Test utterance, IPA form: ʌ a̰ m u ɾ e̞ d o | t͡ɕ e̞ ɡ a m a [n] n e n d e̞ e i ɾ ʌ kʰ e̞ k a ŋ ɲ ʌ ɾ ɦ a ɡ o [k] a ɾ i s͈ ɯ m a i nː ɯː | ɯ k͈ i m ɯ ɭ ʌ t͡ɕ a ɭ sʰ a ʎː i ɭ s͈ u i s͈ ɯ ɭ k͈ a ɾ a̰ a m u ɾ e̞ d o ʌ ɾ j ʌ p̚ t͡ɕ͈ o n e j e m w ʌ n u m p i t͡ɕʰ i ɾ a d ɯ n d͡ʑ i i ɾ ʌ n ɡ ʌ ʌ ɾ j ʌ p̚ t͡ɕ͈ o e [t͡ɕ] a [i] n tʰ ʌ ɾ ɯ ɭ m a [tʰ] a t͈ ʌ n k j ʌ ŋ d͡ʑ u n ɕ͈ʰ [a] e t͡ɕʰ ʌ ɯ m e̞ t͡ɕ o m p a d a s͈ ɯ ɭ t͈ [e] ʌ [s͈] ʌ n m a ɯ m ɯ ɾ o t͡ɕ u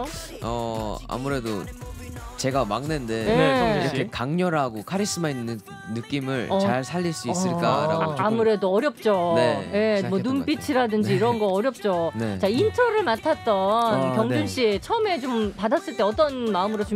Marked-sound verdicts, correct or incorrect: incorrect: ŋ, incorrect: kʰ, correct, correct, correct, incorrect: i, correct, incorrect: t͈

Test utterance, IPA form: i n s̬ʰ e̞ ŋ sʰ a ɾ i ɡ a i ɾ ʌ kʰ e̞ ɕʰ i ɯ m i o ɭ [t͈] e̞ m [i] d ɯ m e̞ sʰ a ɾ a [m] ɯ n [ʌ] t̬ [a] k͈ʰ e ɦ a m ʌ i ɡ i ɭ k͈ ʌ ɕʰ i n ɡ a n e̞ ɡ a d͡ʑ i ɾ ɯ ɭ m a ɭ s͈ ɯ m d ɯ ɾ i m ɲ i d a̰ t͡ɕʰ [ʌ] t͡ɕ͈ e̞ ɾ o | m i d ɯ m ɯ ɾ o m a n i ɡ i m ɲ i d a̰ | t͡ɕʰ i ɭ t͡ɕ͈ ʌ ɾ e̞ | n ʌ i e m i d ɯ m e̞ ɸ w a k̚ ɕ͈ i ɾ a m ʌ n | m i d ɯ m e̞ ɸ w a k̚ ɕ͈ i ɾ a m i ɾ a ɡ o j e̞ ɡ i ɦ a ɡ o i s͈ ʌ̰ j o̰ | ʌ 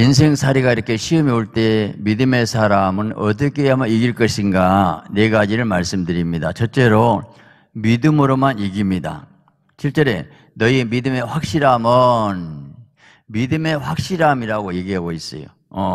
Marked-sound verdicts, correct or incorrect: correct, correct, correct, correct, incorrect: ʌ, correct

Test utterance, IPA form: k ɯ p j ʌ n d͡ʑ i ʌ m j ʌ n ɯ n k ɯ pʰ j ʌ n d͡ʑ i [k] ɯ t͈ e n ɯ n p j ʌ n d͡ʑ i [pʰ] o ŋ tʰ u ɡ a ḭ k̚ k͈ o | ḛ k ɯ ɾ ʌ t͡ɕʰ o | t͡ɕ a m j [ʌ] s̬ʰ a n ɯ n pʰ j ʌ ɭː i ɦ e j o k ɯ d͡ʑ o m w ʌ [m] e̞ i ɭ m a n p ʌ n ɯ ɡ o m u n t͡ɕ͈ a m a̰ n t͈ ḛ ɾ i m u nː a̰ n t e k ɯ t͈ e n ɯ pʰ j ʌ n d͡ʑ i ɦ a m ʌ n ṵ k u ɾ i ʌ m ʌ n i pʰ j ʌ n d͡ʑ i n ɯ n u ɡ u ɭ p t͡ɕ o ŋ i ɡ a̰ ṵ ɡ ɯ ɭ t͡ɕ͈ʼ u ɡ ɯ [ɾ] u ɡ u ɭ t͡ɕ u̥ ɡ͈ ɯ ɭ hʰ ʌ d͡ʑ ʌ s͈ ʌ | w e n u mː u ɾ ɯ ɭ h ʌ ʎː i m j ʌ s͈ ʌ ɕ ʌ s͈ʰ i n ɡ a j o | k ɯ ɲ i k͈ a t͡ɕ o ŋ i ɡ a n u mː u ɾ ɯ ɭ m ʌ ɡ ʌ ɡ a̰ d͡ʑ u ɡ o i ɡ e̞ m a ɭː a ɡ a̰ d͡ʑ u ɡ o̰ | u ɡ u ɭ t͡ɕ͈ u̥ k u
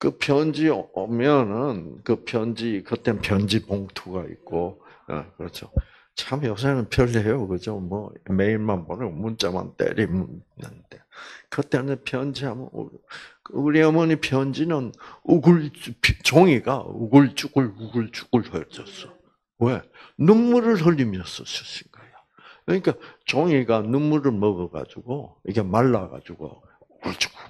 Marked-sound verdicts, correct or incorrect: correct, incorrect: p, correct, correct, incorrect: ɭ

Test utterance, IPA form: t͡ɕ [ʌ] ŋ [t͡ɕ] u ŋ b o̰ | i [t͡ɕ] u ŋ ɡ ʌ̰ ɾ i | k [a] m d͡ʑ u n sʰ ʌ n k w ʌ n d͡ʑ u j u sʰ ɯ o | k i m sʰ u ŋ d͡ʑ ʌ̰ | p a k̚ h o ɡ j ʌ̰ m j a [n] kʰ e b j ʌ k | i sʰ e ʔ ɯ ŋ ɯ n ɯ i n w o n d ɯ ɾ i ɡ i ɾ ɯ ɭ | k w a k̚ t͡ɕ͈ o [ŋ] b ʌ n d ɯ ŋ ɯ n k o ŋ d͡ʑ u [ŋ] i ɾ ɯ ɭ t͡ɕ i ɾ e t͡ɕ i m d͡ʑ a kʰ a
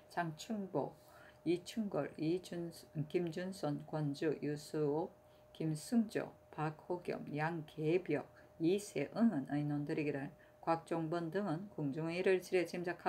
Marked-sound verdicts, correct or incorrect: incorrect: a, incorrect: t͡ɕʰ, incorrect: t͡ɕʰ, incorrect: i, incorrect: ŋ, correct, correct

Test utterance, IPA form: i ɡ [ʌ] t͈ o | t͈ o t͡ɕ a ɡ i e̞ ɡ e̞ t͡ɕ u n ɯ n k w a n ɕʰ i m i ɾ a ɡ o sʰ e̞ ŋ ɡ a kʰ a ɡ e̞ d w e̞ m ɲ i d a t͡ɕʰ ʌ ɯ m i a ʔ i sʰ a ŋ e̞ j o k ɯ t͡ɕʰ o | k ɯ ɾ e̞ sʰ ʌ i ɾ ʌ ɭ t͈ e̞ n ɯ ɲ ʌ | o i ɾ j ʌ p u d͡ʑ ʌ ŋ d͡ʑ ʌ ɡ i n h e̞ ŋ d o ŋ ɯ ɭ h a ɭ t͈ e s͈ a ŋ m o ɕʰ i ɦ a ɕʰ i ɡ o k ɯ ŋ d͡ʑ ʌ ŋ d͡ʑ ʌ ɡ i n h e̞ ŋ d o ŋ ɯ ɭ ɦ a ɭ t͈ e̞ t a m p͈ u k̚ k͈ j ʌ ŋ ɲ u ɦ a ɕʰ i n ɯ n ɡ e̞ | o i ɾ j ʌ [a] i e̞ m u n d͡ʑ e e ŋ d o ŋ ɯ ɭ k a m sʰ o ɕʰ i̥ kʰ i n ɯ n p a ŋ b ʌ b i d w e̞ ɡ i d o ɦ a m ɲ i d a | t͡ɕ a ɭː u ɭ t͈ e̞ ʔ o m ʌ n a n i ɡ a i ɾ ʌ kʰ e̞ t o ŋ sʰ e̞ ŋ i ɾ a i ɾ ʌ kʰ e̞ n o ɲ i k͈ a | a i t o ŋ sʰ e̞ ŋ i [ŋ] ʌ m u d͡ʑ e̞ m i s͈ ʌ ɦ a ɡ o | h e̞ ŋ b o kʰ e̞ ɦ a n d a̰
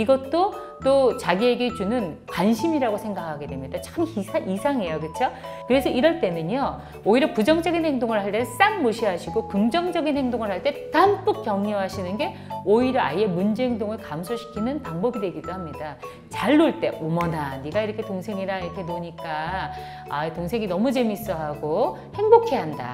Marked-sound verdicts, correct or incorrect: correct, correct, incorrect: n

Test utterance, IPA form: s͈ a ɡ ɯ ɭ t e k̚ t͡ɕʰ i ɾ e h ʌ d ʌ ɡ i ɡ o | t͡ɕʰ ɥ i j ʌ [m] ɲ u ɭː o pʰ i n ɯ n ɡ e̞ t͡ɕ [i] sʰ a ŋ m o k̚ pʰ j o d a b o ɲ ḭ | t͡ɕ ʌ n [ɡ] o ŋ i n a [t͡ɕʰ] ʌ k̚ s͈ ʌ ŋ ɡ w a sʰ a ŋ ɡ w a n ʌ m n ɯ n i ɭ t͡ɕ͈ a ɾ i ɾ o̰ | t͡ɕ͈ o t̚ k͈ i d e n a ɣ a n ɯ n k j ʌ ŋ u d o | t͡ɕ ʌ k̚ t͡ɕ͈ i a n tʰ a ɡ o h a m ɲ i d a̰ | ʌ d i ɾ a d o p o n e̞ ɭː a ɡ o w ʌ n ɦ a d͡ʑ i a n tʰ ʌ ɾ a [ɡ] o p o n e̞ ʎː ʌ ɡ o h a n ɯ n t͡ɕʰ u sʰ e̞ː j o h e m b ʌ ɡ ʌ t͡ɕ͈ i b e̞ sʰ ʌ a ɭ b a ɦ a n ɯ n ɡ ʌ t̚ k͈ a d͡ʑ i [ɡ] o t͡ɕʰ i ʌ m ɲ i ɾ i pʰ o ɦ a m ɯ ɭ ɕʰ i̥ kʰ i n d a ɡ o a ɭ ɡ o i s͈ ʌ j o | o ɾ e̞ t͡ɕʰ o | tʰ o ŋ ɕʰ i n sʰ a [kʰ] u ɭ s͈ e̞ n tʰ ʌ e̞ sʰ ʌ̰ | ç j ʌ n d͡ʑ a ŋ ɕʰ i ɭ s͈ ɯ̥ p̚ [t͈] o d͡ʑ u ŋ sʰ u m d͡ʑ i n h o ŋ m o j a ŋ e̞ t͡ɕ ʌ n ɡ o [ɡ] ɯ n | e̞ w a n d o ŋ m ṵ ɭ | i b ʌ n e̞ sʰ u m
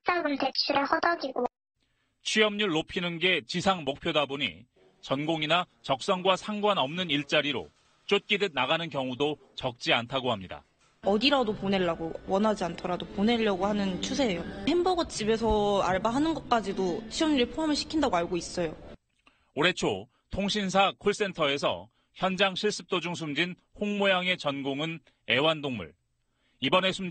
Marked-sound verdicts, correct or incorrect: correct, correct, correct, incorrect: t͡ɕ, incorrect: d, incorrect: d, correct, correct, incorrect: ŋ

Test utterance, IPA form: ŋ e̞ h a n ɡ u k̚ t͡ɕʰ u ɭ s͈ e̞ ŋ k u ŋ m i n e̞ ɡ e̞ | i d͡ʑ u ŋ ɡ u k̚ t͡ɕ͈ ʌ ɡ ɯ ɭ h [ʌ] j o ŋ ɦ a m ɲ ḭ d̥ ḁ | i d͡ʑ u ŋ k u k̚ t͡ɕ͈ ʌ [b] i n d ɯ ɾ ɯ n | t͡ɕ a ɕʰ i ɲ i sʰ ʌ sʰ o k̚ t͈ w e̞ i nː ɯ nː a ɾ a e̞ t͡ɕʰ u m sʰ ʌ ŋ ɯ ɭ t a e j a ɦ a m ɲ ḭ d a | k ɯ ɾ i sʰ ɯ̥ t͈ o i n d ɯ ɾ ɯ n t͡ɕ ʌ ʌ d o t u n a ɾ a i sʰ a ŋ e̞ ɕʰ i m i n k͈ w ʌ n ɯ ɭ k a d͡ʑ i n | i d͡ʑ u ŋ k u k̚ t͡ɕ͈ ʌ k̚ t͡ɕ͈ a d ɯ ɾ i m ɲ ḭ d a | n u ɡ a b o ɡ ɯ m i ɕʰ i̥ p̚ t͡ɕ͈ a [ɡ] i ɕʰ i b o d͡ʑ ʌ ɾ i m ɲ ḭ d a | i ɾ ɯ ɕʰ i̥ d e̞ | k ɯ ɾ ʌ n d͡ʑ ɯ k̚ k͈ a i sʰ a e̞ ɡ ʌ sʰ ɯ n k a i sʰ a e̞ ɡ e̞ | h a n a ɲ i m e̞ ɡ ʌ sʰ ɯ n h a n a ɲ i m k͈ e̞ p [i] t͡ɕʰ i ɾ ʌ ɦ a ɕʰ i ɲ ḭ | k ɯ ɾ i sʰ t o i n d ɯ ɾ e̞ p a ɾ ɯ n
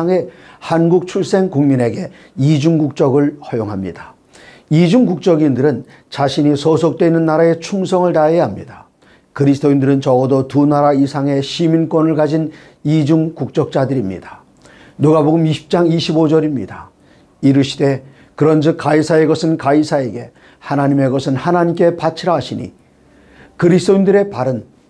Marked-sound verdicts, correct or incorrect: correct, incorrect: ɡ, incorrect: ŋ, incorrect: a

